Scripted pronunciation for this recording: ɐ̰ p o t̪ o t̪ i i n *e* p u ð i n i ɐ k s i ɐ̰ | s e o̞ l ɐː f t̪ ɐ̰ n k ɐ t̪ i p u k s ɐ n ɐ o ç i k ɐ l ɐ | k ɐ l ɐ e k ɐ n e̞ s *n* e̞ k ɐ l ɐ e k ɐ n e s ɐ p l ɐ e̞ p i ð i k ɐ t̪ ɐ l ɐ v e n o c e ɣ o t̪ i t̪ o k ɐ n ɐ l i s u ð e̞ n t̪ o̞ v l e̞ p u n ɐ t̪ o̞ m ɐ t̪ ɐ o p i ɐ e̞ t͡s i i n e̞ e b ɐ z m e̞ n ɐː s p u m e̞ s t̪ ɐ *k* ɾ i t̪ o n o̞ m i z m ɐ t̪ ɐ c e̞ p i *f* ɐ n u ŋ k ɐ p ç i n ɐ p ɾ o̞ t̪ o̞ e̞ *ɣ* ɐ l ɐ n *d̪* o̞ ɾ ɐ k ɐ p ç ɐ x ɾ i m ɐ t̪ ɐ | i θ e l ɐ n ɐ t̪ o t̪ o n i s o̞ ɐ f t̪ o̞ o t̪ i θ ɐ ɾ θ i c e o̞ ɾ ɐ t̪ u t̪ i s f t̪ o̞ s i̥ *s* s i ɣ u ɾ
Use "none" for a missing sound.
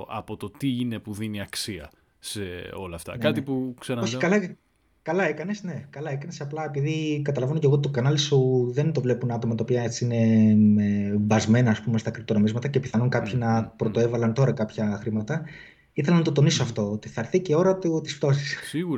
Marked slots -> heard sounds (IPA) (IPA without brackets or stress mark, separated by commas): e, n, k, θ, v, t̪, s